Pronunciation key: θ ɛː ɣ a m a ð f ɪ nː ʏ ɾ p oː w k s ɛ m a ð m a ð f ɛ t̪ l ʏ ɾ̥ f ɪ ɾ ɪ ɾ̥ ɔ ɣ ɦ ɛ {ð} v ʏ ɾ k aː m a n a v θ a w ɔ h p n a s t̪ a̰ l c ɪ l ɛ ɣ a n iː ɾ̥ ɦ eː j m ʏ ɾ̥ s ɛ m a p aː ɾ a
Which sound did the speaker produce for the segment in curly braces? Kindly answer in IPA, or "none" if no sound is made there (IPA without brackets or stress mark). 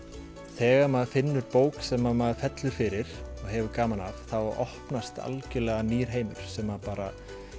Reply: none